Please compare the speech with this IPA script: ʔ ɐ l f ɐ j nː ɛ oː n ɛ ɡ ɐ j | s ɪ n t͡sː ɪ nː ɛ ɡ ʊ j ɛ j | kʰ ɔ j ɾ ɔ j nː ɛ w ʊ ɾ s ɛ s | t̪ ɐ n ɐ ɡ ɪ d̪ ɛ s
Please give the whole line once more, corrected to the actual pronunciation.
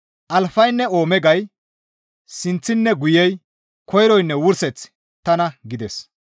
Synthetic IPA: ʔ ɐ l f ɐ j nː ɛ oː m ɛ ɡ ɐ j | s ɪ n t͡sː ɪ nː ɛ ɡ ʊ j ɛ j | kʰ ɔ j ɾ ɔ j nː ɛ w ʊ ɾ s ɛ t͡s | t̪ ɐ n ɐ ɡ ɪ d̪ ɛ s